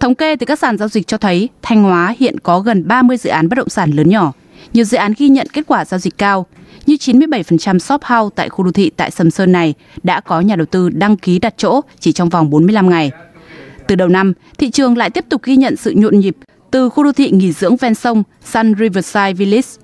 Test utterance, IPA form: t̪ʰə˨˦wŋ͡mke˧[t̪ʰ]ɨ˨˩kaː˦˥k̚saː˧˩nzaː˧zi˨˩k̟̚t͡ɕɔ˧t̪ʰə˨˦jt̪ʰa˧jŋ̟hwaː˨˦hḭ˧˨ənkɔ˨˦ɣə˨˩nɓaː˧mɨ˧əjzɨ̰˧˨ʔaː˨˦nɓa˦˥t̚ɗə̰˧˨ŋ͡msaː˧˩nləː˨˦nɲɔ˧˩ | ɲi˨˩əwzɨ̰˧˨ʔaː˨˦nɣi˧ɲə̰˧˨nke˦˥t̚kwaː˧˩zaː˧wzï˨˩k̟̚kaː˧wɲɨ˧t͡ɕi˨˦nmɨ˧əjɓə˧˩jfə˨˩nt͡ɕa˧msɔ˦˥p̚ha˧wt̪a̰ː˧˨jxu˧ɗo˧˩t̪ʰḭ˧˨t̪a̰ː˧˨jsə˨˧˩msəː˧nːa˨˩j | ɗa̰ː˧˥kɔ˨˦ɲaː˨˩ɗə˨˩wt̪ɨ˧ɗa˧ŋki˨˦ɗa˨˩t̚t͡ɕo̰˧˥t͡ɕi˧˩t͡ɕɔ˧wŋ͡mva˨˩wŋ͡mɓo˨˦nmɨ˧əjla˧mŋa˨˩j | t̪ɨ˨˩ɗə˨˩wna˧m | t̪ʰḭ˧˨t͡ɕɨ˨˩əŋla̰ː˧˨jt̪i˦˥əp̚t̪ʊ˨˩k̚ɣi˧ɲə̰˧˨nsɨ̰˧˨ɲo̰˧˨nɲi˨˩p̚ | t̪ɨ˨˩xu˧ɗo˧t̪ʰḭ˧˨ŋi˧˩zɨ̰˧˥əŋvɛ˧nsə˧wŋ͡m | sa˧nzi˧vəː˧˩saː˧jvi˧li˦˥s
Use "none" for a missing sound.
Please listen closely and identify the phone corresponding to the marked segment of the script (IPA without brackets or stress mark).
t̪